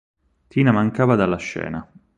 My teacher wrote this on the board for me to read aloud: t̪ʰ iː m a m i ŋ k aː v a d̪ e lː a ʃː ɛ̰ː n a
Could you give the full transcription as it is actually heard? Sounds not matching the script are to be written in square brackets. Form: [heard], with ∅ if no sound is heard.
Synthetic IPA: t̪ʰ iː [n] a m [a] ŋ k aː v a d̪ [a] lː a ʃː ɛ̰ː n a

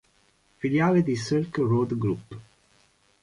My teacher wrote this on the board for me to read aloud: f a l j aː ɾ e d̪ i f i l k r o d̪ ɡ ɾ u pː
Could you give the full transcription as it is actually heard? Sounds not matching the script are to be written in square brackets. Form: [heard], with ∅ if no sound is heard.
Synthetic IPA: f [i] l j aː [l] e d̪ i [s] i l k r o d̪ ɡ ɾ u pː

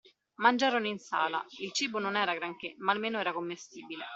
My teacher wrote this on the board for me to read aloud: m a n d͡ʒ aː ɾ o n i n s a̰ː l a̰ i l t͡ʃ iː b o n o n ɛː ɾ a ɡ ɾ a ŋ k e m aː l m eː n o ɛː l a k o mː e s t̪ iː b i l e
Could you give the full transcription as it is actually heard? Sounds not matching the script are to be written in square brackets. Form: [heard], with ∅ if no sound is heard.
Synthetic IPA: m a n d͡ʒ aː ɾ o n i n s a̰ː l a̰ i l t͡ʃ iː b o n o n ɛː ɾ a ɡ ɾ a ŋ k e m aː l m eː n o ɛː [ɾ] a k o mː e s t̪ iː b i l e

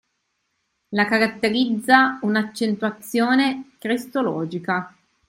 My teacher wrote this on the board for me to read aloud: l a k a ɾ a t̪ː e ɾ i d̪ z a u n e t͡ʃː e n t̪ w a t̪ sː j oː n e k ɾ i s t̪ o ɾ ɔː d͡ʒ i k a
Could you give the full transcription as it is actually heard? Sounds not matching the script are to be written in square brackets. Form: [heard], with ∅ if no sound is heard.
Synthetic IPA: l a k a ɾ a t̪ː e ɾ i d̪ [zː] a u n [a] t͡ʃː e n t̪ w a t̪ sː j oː n e k ɾ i s t̪ o [l] ɔː d͡ʒ i k a

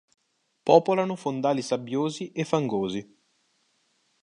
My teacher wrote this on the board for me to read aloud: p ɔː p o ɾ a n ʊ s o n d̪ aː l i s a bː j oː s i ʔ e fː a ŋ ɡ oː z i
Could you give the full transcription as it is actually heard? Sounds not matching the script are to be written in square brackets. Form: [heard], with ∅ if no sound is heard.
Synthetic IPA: p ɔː p o [l] a n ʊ [f] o n d̪ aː l i s a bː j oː [z] i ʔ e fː a ŋ ɡ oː z i

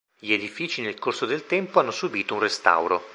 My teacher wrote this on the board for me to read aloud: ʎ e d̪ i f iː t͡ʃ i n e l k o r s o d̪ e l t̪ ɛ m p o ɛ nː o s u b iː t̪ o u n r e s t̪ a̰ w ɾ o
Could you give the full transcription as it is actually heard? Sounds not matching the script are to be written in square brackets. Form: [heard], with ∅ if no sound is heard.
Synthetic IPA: ʎ e d̪ i f iː t͡ʃ i n e l k o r s o d̪ e l t̪ ɛ m p o [a] nː o s u b iː t̪ o u n r e s t̪ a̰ w ɾ o

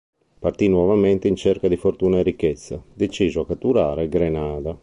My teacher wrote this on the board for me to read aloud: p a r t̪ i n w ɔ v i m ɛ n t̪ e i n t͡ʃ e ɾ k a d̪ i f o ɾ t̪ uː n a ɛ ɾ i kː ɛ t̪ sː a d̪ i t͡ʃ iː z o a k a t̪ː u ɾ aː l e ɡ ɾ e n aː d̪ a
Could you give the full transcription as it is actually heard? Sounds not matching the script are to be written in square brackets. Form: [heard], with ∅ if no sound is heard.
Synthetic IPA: p a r t̪ i n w ɔ v [a] m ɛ n t̪ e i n t͡ʃ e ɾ k a d̪ i f o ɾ t̪ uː n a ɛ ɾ i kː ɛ t̪ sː a d̪ [e] t͡ʃ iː z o a k a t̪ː u ɾ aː [ɾ] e ɡ ɾ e n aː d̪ a

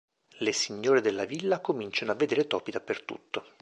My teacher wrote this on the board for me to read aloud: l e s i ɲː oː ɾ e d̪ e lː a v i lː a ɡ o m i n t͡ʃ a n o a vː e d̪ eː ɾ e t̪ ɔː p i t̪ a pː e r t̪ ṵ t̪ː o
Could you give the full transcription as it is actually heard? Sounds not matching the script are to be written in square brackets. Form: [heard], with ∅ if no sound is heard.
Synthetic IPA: l e s i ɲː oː ɾ e d̪ e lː a v i lː a [k] o m i n t͡ʃ a n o a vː e d̪ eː ɾ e t̪ ɔː p i [d̪] a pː e r t̪ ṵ t̪ː o

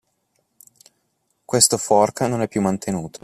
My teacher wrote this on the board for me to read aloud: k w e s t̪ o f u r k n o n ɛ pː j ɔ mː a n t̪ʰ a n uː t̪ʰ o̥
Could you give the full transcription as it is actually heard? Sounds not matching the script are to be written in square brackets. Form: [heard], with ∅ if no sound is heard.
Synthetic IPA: k w e s t̪ o f [ɔ] r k n o n ɛ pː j [u] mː a n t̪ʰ [e] n uː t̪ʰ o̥

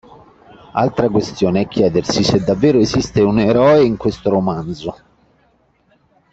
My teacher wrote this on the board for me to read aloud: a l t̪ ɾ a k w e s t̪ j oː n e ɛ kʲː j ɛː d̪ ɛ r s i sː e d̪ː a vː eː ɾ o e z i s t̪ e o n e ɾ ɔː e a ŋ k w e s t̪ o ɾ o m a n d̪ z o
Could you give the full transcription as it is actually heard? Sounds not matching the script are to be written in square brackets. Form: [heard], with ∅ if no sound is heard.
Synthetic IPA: a l t̪ ɾ a k w e s t̪ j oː n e ɛ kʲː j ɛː d̪ [e] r s i [s] e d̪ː a vː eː ɾ o e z i s t̪ e [u] n e ɾ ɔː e [i] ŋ k w e s t̪ o ɾ o m a n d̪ z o

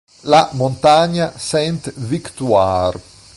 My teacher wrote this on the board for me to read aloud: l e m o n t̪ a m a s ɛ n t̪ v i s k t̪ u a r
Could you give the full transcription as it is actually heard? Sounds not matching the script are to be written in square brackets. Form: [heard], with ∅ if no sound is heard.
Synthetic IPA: l [a] m o n t̪ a [ɲ] a s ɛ n t̪ v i [∅] k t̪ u a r

